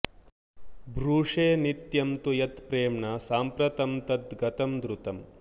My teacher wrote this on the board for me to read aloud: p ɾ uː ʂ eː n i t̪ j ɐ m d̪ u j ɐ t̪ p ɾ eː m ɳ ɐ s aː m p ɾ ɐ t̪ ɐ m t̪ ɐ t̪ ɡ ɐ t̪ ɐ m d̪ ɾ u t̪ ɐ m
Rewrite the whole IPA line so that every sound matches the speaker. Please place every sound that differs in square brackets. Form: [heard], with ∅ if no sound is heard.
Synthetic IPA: [b] ɾ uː ʂ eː n i t̪ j ɐ m [t̪] u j ɐ t̪ p ɾ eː m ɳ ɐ s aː m p ɾ ɐ t̪ ɐ m t̪ ɐ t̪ ɡ ɐ t̪ ɐ m d̪ ɾ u t̪ ɐ m

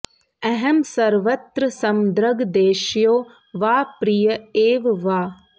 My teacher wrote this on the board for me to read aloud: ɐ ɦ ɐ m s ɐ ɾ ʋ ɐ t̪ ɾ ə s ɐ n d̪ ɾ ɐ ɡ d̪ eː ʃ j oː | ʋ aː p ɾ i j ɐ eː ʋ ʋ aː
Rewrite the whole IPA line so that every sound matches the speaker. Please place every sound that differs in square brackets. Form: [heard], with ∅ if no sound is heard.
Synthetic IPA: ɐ ɦ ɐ m s ɐ ɾ ʋ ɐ t̪ ɾ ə s ɐ [m] d̪ ɾ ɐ ɡ d̪ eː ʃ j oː | ʋ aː p ɾ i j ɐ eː ʋ ʋ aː

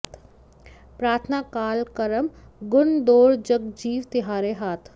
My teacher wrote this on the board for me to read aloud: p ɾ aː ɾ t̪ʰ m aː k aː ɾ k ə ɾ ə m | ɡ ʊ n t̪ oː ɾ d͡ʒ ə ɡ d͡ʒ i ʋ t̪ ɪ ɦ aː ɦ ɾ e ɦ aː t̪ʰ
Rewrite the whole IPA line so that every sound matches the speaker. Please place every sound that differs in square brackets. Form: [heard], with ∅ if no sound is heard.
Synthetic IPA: p ɾ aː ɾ t̪ʰ [n] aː k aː [l] k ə ɾ ə m | ɡ ʊ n [d̪] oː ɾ d͡ʒ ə ɡ d͡ʒ [iː] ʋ t̪ ɪ ɦ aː [∅] ɾ e ɦ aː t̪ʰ

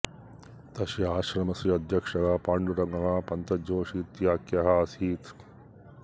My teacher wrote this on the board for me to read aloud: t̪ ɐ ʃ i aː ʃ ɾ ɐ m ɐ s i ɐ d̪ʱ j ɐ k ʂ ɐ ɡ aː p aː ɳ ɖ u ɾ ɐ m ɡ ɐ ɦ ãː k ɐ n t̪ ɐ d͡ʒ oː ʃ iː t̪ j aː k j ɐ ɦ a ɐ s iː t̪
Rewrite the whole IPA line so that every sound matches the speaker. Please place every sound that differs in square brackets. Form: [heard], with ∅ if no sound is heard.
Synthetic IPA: t̪ ɐ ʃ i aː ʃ ɾ ɐ m ɐ s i ɐ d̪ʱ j ɐ k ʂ ɐ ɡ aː p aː ɳ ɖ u ɾ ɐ [ŋ] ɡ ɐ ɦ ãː [p] ɐ n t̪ ɐ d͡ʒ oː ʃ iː t̪ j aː k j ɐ ɦ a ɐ s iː t̪

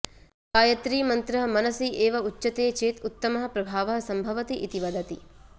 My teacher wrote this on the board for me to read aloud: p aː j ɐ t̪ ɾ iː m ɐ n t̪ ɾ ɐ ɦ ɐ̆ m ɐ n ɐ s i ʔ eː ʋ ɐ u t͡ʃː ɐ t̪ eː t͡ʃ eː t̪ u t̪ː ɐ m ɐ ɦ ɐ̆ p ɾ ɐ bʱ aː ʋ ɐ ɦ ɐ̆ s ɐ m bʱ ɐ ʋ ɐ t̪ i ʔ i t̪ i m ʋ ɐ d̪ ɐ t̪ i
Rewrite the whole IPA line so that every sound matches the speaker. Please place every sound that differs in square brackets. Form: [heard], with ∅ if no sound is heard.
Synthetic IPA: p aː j ɐ t̪ ɾ iː m ɐ n t̪ ɾ ɐ ɦ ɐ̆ m ɐ n ɐ s i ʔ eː ʋ ɐ u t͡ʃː ɐ t̪ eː t͡ʃ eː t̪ u t̪ː ɐ m ɐ ɦ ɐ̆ p ɾ ɐ bʱ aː ʋ ɐ ɦ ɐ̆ s ɐ m bʱ ɐ ʋ ɐ t̪ i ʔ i t̪ i [∅] ʋ ɐ d̪ ɐ t̪ i

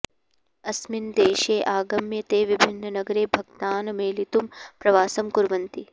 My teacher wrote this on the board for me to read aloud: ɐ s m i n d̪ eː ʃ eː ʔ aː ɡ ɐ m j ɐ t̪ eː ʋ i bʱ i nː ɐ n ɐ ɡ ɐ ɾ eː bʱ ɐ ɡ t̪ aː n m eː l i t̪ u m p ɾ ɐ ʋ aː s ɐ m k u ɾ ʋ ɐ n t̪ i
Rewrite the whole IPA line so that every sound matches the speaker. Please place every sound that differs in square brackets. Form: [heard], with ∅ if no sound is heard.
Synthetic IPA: ɐ s m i n d̪ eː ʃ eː ʔ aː ɡ ɐ m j ɐ t̪ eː ʋ i bʱ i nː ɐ n ɐ ɡ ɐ ɾ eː bʱ ɐ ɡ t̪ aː n m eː l i t̪ u m p ɾ ɐ ʋ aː s ɐ m k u ɾ ʋ ɐ n t̪ i

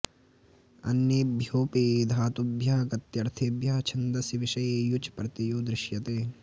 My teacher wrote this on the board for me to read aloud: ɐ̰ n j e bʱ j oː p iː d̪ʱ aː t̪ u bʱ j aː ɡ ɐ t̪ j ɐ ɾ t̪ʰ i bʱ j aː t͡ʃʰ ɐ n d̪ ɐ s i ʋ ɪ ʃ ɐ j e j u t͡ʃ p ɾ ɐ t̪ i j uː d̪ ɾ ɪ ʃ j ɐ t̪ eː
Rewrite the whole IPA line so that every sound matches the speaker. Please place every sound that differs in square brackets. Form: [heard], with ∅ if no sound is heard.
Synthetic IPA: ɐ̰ n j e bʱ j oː p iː d̪ʱ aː t̪ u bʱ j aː ɡ ɐ t̪ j ɐ ɾ t̪ʰ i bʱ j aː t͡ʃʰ ɐ n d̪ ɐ s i ʋ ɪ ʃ ɐ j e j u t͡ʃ p ɾ ɐ t̪ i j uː d̪ ɾ ɪ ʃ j ɐ t̪ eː

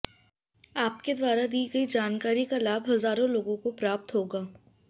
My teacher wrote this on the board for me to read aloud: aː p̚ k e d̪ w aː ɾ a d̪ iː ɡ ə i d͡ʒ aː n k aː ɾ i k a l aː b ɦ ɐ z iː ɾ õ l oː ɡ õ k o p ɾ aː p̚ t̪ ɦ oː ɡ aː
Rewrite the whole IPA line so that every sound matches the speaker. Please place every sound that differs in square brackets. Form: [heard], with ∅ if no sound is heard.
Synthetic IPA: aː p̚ k e d̪ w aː ɾ a d̪ iː ɡ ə i d͡ʒ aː n k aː ɾ i k a l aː b ɦ ɐ z [aː] ɾ õ l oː ɡ õ k o p ɾ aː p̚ t̪ ɦ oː ɡ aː

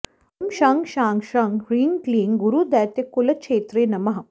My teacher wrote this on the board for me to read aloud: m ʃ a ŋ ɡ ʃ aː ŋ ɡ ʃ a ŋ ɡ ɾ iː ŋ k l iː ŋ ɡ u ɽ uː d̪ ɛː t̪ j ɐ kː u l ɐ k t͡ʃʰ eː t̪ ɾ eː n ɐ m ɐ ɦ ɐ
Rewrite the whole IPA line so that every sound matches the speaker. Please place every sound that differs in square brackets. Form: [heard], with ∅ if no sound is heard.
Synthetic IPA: m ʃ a ŋ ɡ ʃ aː ŋ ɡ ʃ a ŋ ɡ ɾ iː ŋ k l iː ŋ ɡ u [ɾ] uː d̪ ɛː t̪ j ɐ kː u l ɐ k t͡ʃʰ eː t̪ ɾ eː n ɐ m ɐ ɦ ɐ

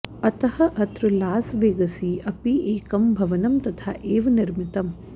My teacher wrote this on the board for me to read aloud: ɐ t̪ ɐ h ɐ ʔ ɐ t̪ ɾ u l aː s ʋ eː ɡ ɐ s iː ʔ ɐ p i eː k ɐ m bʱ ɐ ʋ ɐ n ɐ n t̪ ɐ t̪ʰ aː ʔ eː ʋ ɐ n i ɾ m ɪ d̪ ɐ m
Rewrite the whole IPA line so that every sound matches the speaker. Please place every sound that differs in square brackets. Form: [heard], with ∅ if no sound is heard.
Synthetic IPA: ɐ t̪ ɐ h ɐ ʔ ɐ t̪ ɾ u l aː s ʋ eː ɡ ɐ s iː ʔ ɐ p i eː k ɐ m bʱ ɐ ʋ ɐ n ɐ [m] t̪ ɐ t̪ʰ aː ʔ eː ʋ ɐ n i ɾ m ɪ [t̪] ɐ m

